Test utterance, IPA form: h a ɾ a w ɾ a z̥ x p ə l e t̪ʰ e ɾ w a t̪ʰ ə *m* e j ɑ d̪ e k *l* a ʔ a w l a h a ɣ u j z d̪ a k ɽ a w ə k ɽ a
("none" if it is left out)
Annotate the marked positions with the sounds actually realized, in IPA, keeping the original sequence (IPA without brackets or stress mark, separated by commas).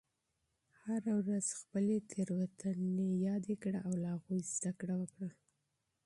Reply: n, ɽ